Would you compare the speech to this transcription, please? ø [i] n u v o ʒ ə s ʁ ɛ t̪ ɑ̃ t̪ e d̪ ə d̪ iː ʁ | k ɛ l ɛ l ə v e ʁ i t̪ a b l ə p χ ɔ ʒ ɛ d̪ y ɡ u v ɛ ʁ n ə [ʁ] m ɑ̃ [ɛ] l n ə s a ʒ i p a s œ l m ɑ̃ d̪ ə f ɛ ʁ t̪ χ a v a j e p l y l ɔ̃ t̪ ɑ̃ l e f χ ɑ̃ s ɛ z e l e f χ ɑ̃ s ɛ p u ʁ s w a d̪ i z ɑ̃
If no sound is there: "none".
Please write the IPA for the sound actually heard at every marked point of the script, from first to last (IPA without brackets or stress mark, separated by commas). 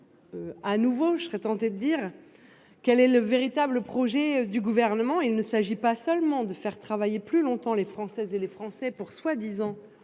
a, none, i